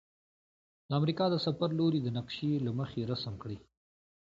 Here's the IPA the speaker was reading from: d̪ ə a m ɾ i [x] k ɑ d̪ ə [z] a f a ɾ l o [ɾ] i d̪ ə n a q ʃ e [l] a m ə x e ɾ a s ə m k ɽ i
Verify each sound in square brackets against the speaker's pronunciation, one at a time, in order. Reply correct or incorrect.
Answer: incorrect: none, incorrect: s, correct, correct

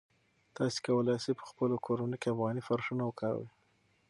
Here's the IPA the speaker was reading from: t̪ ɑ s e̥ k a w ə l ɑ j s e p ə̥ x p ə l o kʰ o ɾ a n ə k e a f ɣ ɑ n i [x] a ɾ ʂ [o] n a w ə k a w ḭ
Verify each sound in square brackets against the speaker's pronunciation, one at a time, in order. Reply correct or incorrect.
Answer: incorrect: f, incorrect: u

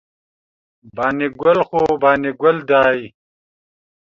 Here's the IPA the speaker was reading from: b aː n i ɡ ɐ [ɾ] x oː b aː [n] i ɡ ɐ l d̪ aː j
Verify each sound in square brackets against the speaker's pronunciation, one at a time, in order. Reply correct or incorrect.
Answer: incorrect: l, correct

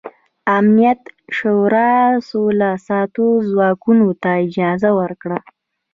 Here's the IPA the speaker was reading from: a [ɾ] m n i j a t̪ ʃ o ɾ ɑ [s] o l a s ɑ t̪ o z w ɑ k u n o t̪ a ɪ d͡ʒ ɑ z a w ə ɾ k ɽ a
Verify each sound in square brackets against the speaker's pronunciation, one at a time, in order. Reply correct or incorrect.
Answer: incorrect: none, correct

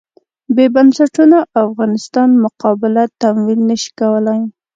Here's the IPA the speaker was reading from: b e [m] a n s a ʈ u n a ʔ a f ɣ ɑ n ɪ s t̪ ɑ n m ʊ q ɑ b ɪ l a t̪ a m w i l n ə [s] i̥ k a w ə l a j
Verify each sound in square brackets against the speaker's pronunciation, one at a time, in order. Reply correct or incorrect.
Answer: incorrect: b, incorrect: ʃ

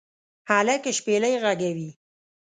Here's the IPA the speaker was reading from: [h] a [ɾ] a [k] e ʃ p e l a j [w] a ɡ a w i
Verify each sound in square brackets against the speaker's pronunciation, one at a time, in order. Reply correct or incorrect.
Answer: correct, incorrect: l, correct, incorrect: ɣ

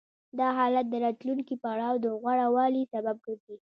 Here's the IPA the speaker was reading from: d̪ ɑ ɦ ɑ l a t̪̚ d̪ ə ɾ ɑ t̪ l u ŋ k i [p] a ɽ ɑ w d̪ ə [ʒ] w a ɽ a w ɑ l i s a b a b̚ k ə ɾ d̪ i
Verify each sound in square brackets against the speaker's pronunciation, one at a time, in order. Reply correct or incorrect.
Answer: correct, incorrect: ɣ

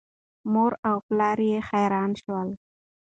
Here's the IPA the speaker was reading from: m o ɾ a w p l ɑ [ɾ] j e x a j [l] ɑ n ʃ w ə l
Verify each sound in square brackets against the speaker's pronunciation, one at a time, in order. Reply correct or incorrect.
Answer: correct, incorrect: ɾ

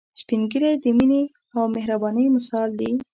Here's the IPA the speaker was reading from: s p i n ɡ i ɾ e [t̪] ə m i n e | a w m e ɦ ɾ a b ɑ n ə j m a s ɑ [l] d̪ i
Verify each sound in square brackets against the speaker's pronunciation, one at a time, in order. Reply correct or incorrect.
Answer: incorrect: d̪, correct

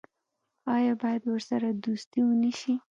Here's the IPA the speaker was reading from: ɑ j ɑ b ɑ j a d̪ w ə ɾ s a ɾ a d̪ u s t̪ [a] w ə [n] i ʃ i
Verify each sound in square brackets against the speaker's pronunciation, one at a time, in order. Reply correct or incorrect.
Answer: incorrect: i, correct

